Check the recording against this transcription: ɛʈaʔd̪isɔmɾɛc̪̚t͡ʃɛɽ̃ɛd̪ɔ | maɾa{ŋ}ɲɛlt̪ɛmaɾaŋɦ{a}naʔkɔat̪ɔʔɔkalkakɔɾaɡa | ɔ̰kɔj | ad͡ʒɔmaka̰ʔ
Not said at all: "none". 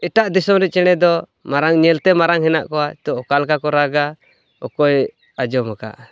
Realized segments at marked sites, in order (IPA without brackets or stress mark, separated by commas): ŋ, ɛ